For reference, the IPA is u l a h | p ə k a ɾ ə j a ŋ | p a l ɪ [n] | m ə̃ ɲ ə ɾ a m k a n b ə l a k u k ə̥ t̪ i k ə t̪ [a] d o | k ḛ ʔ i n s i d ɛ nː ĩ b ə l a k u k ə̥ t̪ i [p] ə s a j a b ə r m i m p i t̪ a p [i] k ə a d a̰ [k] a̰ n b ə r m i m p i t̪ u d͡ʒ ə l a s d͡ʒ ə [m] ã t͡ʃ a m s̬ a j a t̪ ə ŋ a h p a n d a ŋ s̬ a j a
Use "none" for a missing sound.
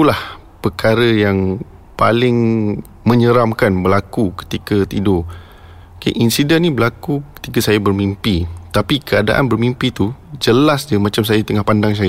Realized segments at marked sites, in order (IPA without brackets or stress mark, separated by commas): ŋ, i, k, i, ʔ, m